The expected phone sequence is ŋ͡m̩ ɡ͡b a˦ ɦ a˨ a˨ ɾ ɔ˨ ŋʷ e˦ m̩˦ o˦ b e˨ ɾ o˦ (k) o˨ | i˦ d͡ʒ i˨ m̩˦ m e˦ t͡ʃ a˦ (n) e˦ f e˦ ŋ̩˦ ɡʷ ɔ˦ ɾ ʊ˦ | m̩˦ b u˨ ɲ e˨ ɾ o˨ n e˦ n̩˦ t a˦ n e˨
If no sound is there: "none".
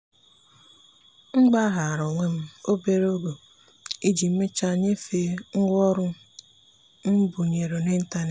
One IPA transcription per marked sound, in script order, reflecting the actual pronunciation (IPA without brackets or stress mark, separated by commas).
ɡ, ɲ